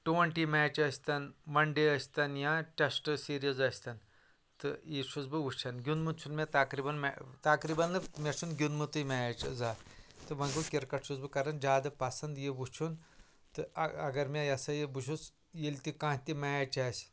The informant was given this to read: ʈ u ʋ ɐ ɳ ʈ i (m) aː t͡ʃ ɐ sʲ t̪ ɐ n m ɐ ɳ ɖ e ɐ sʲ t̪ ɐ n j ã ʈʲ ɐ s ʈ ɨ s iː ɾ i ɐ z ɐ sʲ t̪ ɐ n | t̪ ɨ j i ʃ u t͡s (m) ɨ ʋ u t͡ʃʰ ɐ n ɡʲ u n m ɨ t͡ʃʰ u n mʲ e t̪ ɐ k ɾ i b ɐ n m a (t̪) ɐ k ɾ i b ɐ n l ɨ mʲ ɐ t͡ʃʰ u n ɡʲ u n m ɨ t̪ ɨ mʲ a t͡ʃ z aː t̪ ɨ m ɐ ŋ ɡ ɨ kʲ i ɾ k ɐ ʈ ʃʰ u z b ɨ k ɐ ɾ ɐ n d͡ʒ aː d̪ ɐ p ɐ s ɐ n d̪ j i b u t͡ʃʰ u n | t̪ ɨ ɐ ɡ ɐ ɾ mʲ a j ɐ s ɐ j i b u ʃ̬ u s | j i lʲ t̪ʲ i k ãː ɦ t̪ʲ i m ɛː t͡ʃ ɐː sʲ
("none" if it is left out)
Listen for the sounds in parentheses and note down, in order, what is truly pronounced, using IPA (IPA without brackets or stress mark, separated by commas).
m, b, t̪